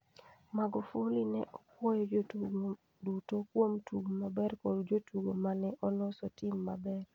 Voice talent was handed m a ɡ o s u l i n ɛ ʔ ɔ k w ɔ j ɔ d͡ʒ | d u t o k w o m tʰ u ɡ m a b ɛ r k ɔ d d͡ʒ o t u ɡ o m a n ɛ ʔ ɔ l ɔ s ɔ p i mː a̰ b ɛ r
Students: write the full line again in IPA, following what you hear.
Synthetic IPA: m a ɡ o f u l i n ɛ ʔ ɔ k w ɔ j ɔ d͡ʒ | d u t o k w o m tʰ u ɡ m a b ɛ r k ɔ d d͡ʒ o t u ɡ o m a n ɛ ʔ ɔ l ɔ s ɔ t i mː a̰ b ɛ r